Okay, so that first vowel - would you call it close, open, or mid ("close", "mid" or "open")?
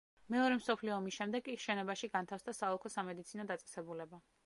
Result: mid